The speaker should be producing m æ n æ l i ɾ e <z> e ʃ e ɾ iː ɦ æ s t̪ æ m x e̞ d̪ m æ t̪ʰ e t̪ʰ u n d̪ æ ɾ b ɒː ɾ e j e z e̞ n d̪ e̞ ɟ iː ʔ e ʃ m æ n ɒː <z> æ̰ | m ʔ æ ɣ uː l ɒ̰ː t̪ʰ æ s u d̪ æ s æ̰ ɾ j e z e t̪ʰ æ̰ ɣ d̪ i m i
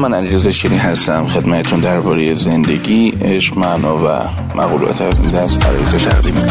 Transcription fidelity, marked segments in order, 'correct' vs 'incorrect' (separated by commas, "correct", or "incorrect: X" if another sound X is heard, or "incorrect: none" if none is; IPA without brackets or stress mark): correct, incorrect: v